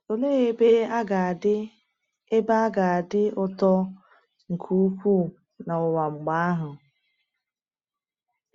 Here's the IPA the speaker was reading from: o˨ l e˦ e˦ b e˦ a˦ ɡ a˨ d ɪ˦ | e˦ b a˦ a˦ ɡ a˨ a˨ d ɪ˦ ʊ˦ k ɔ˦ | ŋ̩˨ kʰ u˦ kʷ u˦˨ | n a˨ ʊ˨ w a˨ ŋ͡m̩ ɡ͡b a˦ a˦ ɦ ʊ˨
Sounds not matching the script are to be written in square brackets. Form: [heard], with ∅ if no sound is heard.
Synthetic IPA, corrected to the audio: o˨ l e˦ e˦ b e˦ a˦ ɡ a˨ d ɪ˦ | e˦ b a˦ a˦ ɡ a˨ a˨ d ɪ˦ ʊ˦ [t] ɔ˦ | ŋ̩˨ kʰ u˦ kʷ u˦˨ | n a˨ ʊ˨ w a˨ ŋ͡m̩ ɡ͡b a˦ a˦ ɦ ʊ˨